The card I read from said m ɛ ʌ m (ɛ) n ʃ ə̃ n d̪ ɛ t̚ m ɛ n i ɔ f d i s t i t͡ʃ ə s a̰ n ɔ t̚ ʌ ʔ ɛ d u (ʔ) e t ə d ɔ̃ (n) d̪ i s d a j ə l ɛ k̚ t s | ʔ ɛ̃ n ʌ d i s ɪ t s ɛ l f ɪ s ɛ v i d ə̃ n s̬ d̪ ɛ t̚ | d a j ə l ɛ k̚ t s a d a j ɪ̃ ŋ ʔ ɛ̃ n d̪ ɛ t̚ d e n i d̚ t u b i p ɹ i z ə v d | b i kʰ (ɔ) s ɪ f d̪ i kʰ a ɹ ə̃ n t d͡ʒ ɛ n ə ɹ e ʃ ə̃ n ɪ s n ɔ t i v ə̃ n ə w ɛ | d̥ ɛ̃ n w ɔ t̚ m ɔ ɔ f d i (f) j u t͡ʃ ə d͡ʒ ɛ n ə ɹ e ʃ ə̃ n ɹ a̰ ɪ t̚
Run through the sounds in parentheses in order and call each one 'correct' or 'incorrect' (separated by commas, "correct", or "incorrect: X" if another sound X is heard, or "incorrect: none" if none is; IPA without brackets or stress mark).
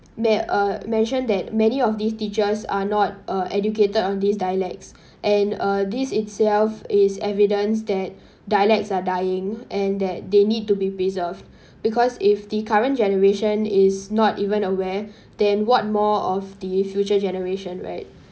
incorrect: ɛ̃, incorrect: k, correct, correct, correct